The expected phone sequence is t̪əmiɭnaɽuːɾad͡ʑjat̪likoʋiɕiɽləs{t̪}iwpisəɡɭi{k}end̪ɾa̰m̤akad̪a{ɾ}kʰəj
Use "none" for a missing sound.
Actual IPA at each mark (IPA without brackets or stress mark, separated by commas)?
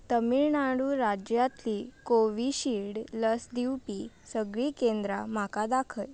d̪, k, none